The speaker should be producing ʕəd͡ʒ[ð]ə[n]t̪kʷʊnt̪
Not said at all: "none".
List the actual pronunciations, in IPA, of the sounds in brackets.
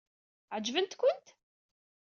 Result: v, n

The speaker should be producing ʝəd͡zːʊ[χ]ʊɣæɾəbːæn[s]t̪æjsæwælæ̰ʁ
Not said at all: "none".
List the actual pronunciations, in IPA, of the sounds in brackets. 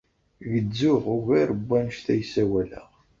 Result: ʁ, ʃ

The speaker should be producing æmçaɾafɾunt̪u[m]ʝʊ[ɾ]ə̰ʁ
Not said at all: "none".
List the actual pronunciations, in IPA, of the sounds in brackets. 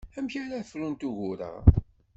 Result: none, ɾ

